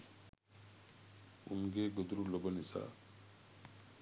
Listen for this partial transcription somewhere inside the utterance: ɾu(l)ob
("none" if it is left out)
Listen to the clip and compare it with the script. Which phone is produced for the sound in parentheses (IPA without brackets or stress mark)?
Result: l